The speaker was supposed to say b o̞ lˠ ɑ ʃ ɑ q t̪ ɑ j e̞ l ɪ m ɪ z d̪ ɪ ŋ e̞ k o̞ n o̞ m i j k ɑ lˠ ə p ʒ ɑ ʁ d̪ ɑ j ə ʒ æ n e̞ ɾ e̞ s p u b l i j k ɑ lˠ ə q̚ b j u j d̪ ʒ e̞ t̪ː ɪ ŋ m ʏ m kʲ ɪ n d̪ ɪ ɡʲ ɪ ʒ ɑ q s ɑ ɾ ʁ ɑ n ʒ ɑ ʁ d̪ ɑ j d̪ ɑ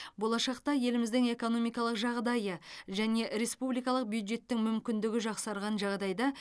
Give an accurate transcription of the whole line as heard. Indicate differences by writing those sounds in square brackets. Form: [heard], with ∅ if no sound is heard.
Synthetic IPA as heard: b o̞ lˠ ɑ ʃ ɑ q t̪ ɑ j e̞ l ɪ m ɪ z d̪ ɪ ŋ e̞ k o̞ n o̞ m i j k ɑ lˠ ə [q] ʒ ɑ ʁ d̪ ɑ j ə ʒ æ n e̞ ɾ e̞ s p u b l i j k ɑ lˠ ə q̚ b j u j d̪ ʒ e̞ t̪ː ɪ ŋ m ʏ m kʲ ɪ n d̪ ɪ ɡʲ ɪ ʒ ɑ q s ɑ ɾ ʁ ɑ n ʒ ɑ ʁ d̪ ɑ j d̪ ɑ